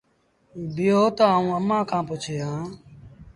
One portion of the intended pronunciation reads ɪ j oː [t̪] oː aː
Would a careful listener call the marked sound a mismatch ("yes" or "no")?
no